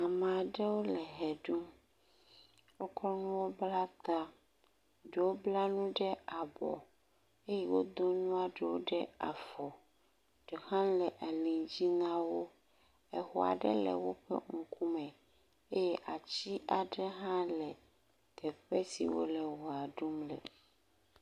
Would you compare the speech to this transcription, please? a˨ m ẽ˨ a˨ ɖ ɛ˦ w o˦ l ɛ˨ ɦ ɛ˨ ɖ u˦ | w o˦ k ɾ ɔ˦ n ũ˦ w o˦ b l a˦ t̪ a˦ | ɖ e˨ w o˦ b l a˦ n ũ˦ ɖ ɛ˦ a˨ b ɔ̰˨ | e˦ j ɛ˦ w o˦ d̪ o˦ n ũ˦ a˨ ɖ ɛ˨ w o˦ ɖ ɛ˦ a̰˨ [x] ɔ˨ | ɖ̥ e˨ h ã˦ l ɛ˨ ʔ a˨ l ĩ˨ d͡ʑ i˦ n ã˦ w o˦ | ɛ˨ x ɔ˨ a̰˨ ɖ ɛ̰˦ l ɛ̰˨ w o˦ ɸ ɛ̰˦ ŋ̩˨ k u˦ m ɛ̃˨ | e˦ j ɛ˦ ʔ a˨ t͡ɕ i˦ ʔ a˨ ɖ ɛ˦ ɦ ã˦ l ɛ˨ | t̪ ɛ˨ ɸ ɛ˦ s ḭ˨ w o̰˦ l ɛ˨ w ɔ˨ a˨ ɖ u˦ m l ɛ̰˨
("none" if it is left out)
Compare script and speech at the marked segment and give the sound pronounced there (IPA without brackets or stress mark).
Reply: f